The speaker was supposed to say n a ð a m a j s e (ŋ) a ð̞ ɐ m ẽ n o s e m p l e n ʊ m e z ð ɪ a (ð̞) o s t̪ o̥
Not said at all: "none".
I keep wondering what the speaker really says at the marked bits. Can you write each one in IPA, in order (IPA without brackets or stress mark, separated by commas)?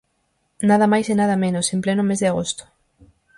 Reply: n, ɣ̞